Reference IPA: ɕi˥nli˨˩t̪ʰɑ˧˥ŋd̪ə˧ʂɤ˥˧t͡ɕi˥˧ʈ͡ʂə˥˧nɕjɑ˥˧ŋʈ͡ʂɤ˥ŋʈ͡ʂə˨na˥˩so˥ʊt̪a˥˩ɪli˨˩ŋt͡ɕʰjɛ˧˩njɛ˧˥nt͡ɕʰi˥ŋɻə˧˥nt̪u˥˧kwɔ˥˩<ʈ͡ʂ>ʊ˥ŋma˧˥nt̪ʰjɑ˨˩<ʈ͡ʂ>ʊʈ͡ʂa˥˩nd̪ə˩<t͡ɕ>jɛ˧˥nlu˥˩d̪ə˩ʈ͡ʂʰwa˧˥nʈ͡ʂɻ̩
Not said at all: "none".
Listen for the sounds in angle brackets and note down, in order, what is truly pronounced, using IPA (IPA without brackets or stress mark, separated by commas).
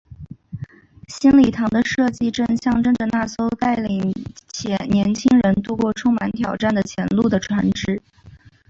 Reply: ʈ͡ʂʰ, none, t͡ɕʰ